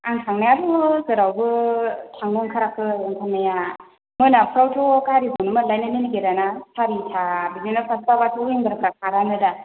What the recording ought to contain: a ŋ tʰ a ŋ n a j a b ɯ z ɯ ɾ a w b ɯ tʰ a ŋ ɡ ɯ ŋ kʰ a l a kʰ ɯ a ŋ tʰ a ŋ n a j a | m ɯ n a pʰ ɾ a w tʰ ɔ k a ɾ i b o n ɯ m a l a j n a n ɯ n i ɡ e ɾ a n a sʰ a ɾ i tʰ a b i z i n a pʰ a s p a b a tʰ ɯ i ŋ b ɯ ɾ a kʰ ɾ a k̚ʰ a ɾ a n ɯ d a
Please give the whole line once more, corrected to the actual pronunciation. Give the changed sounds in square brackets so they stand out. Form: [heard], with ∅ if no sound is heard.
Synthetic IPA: a ŋ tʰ a ŋ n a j a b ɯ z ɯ ɾ a w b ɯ tʰ a ŋ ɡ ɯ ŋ kʰ a [ɾ] a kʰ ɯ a ŋ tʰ a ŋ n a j a | m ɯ n a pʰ ɾ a w tʰ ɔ k a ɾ i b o n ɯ m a l a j n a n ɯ n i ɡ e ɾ a n a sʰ a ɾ i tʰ a b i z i n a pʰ a s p a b a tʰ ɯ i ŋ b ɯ ɾ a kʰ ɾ a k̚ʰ a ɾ a n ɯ d a